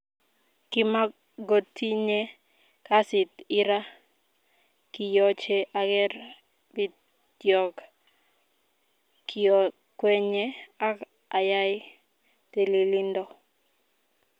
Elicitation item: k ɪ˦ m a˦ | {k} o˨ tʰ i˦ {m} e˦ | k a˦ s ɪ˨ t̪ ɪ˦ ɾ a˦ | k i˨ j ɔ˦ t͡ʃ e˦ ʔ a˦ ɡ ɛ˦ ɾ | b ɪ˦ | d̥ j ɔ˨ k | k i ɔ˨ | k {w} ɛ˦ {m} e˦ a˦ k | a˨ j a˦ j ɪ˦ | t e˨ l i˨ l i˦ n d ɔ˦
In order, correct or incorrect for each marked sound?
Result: incorrect, incorrect, correct, incorrect

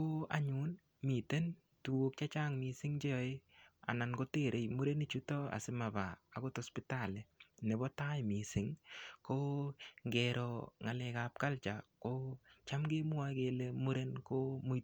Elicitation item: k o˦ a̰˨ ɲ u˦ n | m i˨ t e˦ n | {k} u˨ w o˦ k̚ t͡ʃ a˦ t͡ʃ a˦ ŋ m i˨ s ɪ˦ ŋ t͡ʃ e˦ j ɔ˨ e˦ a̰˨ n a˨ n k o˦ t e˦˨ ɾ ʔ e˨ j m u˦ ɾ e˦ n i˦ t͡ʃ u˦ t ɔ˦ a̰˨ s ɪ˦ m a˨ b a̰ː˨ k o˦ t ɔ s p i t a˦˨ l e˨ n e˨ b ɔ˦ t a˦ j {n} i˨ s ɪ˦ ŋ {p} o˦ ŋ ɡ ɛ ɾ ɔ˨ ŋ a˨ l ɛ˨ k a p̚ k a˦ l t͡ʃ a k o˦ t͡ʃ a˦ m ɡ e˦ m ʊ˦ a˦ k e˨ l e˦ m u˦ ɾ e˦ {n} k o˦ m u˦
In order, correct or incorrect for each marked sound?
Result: incorrect, incorrect, incorrect, correct

